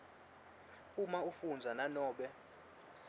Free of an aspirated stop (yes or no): yes